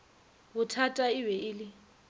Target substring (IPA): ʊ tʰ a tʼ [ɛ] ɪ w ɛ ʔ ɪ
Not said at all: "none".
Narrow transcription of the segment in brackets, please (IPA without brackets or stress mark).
a